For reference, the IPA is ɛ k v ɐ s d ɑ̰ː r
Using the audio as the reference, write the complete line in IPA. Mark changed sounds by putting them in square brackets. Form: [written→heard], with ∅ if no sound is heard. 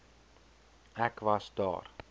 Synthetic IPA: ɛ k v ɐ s d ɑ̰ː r